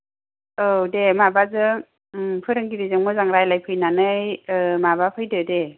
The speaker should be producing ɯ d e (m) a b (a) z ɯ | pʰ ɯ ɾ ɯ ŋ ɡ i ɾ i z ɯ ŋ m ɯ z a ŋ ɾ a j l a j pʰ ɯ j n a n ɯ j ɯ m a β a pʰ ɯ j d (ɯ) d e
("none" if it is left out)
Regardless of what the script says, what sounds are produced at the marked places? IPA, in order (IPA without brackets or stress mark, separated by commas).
m, a, ɯ